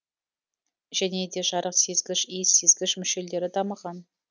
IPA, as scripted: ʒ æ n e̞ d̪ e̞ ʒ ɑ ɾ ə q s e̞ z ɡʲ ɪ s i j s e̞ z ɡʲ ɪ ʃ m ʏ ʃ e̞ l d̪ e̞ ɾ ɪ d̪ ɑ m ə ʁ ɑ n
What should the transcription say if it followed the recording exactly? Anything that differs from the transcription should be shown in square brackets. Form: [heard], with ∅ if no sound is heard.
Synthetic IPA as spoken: ʒ æ n e̞ d̪ e̞ ʒ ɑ ɾ ə q s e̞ z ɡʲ ɪ [ʃ] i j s e̞ z ɡʲ ɪ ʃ m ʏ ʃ e̞ l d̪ e̞ ɾ ɪ d̪ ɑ m ə ʁ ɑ n

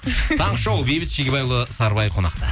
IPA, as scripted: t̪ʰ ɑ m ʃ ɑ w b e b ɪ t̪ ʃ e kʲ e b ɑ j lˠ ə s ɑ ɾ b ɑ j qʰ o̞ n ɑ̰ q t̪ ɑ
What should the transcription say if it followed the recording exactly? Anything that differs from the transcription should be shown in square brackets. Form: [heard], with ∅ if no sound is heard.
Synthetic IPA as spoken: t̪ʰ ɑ [ɴ] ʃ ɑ w b e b ɪ t̪ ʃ e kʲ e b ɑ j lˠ ə s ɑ ɾ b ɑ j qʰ o̞ n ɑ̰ q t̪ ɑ

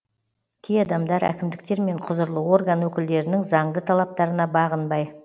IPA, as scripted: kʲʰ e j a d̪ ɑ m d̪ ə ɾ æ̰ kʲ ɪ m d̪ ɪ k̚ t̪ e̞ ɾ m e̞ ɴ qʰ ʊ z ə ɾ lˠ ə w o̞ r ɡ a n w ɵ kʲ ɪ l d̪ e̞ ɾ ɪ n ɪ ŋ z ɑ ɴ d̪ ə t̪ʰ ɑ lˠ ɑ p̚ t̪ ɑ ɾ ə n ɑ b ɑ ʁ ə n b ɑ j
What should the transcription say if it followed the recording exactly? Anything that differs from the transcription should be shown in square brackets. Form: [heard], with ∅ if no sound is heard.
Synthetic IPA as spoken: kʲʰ e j [ɑ] d̪ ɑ m d̪ [ɑ] ɾ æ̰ kʲ ɪ m d̪ ɪ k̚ t̪ e̞ ɾ m e̞ ɴ qʰ ʊ z ə ɾ lˠ ə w o̞ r ɡ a n w ɵ kʲ ɪ l d̪ e̞ ɾ ɪ n ɪ ŋ z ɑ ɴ d̪ ə t̪ʰ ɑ lˠ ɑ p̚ t̪ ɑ ɾ ə n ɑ b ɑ ʁ ə n b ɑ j

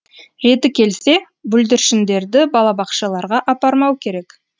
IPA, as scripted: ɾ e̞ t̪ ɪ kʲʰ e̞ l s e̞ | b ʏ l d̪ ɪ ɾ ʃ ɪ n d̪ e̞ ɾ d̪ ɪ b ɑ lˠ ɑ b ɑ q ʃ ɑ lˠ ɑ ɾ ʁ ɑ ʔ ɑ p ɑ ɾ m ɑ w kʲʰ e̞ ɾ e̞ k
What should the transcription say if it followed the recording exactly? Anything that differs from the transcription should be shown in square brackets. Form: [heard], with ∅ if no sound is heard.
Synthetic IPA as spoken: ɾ e̞ t̪ ɪ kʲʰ e̞ l s e̞ | b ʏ l d̪ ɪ ɾ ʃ ɪ n d̪ e̞ ɾ d̪ ɪ b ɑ lˠ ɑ b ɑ q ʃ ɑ lˠ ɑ ɾ ʁ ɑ ʔ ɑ p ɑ ɾ m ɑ w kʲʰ e̞ ɾ e̞ k

